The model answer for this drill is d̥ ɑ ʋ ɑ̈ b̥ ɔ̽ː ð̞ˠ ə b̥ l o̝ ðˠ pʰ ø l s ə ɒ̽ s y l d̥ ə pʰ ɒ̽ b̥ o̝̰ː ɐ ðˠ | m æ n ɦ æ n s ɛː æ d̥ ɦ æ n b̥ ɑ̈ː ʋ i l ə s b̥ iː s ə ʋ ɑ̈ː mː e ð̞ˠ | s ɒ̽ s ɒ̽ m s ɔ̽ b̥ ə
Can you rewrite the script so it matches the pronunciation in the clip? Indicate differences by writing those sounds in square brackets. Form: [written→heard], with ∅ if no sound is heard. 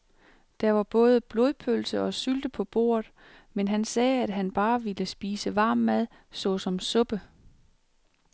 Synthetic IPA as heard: d̥ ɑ ʋ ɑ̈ b̥ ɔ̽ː ð̞ˠ ə b̥ l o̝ ðˠ pʰ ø l s ə ɒ̽ s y l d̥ ə pʰ ɒ̽ b̥ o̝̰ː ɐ ðˠ | m [æ→e] n ɦ æ n s ɛː æ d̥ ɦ æ n b̥ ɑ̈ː ʋ i l ə s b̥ iː s ə ʋ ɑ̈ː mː [e→æ] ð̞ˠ | s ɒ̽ s ɒ̽ m s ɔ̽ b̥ ə

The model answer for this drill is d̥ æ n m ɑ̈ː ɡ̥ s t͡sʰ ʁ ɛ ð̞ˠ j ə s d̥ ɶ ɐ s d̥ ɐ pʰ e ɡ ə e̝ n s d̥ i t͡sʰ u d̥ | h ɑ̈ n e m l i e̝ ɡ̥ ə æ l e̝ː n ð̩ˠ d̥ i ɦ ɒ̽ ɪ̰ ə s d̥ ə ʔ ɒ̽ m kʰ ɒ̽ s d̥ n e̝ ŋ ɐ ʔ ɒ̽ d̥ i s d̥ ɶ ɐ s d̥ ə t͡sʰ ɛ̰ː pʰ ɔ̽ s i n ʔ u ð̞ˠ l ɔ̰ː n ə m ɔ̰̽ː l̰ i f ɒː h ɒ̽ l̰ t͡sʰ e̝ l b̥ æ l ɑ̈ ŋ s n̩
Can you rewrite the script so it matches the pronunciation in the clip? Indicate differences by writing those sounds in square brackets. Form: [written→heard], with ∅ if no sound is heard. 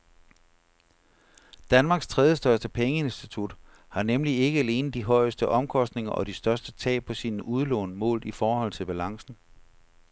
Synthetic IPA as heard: d̥ æ n m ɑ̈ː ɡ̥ s t͡sʰ ʁ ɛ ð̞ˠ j ə s d̥ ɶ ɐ s d̥ [ɐ→ə] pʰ e [ɡ→ŋ] ə e̝ n s d̥ i t͡sʰ u d̥ | h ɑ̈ n e m l i e̝ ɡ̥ ə æ l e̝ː n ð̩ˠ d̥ i ɦ ɒ̽ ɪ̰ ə s d̥ ə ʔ ɒ̽ m kʰ ɒ̽ s d̥ n e̝ ŋ ɐ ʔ ɒ̽ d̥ i s d̥ ɶ ɐ s d̥ ə t͡sʰ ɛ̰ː pʰ [ɔ̽→ɒ̽] s i n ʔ u ð̞ˠ l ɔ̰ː n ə m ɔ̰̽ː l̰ i f ɒː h ɒ̽ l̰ t͡sʰ e̝ l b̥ æ l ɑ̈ ŋ s n̩

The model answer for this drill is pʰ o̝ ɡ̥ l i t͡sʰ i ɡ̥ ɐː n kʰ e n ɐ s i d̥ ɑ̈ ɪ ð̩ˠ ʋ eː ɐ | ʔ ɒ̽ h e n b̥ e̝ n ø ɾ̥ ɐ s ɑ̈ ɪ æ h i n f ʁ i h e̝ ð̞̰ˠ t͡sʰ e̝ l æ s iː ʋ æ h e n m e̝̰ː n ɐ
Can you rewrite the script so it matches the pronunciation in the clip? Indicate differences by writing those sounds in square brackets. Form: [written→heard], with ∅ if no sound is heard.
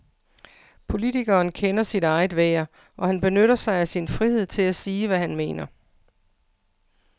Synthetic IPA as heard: pʰ o̝ [ɡ̥→∅] l i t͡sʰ i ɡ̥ ɐː n kʰ e n ɐ s i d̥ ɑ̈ ɪ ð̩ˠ ʋ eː ɐ | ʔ ɒ̽ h [e→æ] n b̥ e̝ n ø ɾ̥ ɐ s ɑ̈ ɪ æ [h→s] i n f ʁ i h e̝ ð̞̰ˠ t͡sʰ e̝ l æ s iː ʋ æ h [e→æ] n m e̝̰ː n ɐ

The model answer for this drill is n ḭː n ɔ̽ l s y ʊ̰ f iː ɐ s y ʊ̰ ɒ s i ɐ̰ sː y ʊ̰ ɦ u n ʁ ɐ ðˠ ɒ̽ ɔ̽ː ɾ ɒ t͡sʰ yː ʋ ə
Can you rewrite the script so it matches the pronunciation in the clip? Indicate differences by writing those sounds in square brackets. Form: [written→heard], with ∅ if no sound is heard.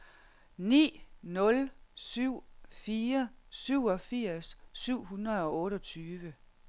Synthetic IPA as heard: n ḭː n ɔ̽ l s y ʊ̰ f iː ɐ s y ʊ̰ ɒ [s→f] i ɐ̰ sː y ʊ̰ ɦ u n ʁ ɐ ðˠ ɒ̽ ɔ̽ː ɾ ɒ t͡sʰ yː ʋ ə

